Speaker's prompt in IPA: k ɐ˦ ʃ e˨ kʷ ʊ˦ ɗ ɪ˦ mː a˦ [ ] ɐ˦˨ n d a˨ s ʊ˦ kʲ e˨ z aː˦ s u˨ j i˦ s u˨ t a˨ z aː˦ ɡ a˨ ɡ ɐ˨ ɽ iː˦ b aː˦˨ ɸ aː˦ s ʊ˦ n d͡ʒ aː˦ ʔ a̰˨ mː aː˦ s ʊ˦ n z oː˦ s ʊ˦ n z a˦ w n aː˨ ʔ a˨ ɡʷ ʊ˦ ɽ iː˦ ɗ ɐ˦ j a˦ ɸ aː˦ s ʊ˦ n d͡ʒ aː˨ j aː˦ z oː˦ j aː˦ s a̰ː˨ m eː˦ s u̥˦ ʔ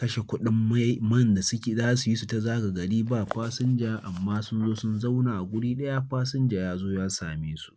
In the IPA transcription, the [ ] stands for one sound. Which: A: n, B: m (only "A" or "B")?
B